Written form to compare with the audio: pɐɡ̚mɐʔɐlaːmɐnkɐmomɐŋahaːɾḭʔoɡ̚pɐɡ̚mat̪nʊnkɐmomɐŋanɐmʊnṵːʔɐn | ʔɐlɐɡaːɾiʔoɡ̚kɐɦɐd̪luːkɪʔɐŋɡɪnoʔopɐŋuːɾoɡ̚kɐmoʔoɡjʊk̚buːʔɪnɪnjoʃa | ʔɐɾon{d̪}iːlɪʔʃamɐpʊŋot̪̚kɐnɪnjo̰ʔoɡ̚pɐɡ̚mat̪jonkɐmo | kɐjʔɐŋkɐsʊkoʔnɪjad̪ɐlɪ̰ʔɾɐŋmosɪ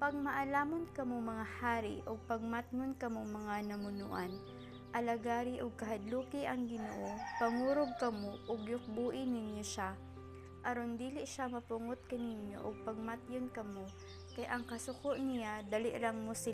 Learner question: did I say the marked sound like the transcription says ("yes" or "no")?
yes